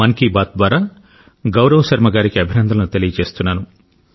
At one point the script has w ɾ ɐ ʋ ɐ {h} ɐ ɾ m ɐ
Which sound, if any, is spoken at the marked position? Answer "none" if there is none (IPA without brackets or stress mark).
ʃ